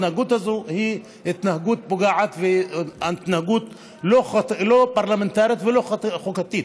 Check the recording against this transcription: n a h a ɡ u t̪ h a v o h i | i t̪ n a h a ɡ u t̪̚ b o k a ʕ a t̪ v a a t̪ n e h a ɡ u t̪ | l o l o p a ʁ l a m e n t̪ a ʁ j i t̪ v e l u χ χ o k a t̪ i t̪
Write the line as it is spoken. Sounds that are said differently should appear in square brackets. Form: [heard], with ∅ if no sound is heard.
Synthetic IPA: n a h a ɡ u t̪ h a [z] o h i | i t̪ n a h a ɡ u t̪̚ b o [ɡ] a ʕ a t̪ v [e] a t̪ n [a] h a ɡ u t̪ | l o l o p a ʁ l a m e n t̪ a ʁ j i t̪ v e l [o] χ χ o k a t̪ i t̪